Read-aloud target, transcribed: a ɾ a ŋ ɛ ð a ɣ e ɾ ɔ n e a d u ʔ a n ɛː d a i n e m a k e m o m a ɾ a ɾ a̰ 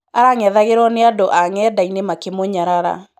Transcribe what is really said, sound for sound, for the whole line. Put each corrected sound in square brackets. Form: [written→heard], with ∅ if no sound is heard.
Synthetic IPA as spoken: a ɾ a ŋ ɛ ð a ɣ e ɾ ɔ n e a d [u→o] ʔ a [n→ŋ] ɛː d a i n e m a k e m o [m→ɲ] a ɾ a ɾ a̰